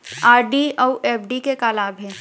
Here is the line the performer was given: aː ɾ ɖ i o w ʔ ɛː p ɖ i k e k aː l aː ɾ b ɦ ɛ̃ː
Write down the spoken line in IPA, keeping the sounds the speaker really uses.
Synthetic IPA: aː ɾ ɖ i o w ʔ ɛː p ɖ i k e k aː l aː b ɦ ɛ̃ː